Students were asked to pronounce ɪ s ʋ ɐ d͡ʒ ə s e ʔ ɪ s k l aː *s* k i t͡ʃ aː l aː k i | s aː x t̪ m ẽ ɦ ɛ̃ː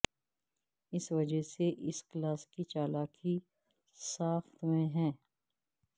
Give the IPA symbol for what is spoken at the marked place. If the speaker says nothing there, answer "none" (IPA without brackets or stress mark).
s